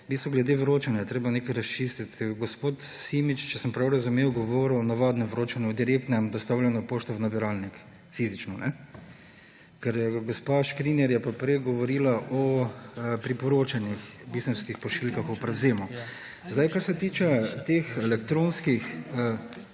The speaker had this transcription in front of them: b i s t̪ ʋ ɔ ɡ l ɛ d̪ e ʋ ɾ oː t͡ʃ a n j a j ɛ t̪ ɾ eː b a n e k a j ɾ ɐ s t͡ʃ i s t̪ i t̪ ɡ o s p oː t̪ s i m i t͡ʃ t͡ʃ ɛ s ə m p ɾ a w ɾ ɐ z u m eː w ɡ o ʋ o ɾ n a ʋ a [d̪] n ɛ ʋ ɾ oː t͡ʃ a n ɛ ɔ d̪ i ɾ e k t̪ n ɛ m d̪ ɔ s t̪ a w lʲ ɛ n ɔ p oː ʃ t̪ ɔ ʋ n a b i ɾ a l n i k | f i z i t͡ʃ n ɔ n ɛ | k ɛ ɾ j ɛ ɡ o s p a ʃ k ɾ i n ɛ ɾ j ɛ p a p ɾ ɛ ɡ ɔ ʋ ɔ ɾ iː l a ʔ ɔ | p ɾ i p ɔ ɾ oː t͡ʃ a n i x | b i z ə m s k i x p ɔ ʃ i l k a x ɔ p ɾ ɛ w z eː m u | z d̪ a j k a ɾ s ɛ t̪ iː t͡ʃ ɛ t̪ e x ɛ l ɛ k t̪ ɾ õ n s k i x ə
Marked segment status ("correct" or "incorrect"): correct